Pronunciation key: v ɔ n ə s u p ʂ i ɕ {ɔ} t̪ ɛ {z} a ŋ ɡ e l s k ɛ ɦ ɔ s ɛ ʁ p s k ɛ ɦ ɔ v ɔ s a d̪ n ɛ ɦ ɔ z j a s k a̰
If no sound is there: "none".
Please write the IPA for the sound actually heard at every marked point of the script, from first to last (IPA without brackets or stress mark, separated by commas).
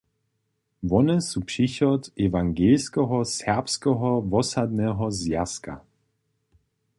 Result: ɔ, v